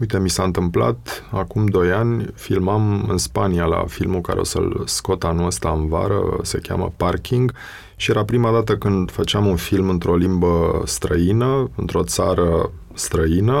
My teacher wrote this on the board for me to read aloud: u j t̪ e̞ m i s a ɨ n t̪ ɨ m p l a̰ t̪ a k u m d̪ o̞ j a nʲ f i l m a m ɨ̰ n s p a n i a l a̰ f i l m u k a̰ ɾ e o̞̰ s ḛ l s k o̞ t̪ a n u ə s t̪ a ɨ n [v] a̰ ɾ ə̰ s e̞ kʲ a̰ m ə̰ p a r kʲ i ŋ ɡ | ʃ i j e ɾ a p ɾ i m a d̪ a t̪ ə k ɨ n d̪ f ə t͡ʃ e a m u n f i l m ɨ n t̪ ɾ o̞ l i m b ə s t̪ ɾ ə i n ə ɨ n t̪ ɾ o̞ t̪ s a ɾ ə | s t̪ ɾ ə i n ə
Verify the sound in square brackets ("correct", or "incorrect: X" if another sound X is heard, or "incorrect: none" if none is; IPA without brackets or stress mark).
correct